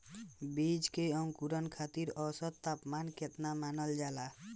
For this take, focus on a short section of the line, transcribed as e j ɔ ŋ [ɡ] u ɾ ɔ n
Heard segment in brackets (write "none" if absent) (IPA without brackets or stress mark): k